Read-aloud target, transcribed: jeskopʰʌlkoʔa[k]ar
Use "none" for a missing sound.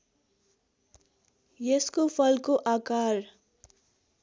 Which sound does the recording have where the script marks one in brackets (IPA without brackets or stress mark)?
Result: k